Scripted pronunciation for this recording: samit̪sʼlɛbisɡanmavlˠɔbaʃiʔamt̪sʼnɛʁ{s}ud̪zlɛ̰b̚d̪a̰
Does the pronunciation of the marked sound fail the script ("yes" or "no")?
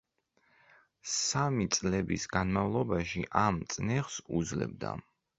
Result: no